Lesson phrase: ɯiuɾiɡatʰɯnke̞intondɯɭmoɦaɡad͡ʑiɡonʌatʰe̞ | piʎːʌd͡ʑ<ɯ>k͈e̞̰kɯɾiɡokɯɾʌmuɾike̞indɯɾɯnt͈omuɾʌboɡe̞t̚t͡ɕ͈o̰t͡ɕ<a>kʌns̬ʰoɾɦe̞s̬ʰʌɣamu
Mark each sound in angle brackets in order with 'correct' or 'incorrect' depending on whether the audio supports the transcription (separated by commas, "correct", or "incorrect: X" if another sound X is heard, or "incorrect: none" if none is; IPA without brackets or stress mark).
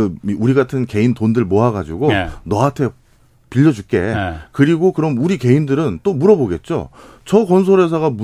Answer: incorrect: u, incorrect: ʌ